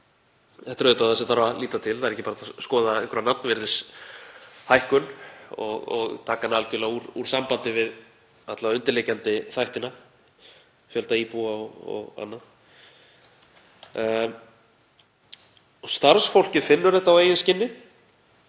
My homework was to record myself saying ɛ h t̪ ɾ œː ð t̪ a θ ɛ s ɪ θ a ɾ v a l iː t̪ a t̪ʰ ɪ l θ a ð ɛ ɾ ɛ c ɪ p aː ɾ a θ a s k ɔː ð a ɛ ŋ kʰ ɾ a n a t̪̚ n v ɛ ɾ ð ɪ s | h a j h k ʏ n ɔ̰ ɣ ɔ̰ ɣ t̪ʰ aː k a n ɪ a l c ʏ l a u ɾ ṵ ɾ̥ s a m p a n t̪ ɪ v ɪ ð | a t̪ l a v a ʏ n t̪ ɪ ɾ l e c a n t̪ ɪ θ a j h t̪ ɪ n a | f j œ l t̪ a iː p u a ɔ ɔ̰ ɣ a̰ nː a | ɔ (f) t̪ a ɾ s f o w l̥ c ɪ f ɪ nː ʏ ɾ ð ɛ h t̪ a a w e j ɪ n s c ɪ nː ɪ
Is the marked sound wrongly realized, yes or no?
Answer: yes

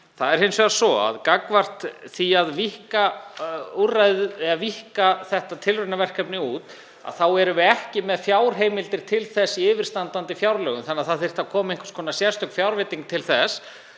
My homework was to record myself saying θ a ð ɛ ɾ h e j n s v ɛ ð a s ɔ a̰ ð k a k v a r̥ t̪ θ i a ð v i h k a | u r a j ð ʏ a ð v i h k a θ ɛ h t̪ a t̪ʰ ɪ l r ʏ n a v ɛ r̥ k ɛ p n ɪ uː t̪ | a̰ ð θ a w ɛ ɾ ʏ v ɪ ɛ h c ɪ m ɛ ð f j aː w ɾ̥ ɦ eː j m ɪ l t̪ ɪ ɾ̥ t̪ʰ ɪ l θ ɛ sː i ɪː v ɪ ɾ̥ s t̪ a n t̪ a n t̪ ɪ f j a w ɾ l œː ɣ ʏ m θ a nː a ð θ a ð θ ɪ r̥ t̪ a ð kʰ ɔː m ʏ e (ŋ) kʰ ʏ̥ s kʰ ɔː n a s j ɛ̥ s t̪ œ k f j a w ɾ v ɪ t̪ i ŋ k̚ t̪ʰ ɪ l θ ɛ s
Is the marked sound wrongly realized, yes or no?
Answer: no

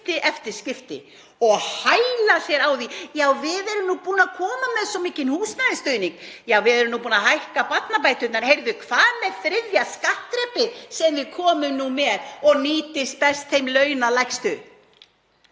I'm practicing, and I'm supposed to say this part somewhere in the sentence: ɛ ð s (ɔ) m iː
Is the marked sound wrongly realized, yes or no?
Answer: no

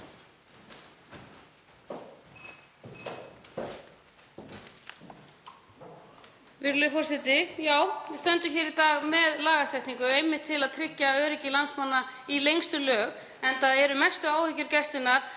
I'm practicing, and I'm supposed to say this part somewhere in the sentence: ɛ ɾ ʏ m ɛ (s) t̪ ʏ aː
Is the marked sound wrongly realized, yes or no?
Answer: no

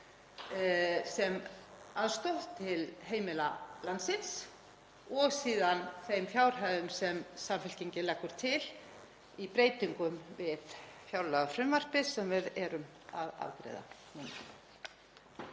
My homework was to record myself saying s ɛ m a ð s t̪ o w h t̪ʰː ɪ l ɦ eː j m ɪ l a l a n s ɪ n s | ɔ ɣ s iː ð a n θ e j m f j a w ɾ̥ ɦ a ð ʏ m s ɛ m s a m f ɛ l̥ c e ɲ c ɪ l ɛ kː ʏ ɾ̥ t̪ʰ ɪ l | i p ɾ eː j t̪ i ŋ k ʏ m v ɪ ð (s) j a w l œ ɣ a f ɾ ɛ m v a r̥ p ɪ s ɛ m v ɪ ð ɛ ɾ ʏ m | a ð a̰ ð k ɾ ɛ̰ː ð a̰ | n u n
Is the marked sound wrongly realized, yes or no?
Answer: yes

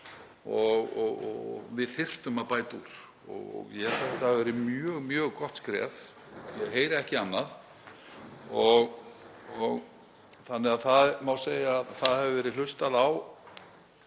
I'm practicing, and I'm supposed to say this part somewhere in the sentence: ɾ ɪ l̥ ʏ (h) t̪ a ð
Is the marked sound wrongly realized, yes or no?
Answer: yes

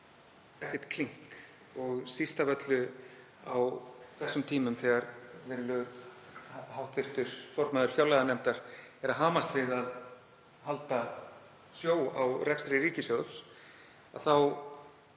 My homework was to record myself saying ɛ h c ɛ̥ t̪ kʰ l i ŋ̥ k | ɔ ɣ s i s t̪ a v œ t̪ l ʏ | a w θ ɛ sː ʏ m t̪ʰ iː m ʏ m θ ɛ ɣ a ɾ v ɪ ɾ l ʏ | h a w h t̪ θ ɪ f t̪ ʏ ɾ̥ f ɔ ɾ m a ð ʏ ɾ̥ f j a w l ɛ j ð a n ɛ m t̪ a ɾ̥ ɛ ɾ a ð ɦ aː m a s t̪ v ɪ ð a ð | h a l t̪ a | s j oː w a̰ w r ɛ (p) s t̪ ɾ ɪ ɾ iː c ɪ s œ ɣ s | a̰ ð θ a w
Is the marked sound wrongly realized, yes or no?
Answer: yes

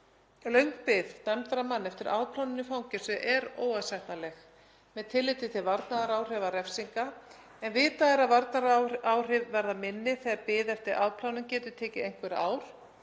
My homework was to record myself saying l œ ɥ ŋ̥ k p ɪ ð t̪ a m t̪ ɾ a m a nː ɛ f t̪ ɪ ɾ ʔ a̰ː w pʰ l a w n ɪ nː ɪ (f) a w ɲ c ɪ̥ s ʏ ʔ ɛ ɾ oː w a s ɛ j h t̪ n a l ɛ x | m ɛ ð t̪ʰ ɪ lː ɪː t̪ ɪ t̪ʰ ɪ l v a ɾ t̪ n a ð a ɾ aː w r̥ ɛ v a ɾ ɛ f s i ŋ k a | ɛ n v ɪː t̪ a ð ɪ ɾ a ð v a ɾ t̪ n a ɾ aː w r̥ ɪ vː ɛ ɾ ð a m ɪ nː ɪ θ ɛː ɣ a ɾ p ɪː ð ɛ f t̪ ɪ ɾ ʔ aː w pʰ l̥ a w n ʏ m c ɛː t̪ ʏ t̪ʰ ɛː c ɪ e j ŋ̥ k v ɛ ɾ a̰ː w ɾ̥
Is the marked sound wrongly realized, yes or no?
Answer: no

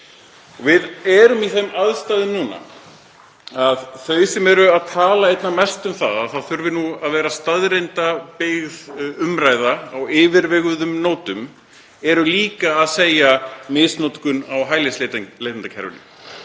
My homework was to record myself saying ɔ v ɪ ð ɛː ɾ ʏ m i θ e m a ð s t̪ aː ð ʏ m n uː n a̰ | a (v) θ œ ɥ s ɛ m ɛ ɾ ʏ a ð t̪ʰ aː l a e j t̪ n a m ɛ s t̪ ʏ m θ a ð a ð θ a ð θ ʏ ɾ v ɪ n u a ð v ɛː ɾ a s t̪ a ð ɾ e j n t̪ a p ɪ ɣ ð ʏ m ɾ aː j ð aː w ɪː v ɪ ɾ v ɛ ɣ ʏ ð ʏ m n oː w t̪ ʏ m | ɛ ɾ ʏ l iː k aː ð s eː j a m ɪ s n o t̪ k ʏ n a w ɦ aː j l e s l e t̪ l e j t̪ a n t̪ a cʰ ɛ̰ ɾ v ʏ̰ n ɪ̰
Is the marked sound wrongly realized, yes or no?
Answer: yes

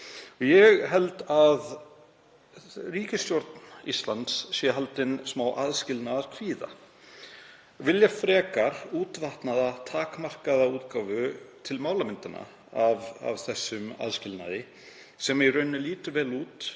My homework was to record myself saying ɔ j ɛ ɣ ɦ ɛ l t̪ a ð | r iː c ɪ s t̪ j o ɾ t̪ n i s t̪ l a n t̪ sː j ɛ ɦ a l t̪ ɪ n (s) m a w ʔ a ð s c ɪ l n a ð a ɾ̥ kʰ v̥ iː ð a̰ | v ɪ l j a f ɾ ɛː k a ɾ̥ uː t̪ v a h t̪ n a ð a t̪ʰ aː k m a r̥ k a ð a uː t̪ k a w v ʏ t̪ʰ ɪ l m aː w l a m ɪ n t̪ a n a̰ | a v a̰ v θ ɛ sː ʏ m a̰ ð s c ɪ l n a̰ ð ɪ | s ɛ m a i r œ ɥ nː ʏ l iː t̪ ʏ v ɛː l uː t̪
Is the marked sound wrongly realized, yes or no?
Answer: no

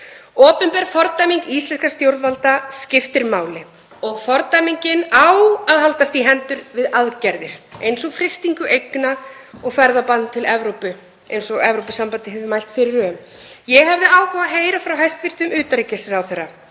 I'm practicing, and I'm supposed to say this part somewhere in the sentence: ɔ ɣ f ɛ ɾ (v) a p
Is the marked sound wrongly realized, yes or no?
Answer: yes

